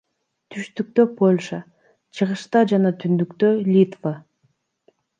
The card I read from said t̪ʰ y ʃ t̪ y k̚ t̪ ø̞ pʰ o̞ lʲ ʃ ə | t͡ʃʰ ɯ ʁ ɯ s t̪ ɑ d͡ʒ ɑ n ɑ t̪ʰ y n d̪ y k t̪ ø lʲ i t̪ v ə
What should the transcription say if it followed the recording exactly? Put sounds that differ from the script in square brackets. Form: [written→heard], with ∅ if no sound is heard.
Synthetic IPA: t̪ʰ y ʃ t̪ y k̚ t̪ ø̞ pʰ o̞ lʲ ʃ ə | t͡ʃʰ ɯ ʁ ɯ [s→ʃ] t̪ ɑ d͡ʒ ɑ n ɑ t̪ʰ y n d̪ y k t̪ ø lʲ i t̪ v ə